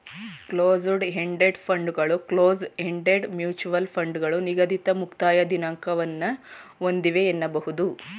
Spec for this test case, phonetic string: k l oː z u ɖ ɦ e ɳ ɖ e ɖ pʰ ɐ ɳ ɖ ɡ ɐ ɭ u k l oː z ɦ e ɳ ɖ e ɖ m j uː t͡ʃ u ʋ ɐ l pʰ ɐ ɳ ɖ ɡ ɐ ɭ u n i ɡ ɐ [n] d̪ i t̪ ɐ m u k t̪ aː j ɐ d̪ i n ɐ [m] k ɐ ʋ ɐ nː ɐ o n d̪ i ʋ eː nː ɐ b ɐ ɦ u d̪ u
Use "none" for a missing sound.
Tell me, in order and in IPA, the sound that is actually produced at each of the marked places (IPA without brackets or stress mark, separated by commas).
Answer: none, ŋ